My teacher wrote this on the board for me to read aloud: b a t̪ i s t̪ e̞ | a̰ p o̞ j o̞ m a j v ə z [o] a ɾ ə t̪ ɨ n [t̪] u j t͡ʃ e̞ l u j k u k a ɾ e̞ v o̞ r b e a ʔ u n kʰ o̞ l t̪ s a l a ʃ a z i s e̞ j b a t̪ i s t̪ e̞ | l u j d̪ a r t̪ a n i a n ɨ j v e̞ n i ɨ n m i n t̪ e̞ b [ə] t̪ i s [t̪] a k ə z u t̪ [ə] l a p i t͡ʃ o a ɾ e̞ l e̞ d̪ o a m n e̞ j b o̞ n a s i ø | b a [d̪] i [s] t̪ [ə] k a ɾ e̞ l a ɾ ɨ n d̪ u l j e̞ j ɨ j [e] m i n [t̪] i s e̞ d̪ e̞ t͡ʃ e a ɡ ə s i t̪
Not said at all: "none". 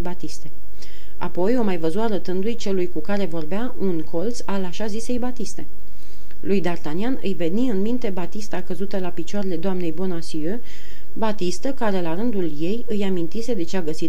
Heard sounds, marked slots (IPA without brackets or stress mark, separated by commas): u, d̪, a, t̪, ə, t̪, s, ə, a, t̪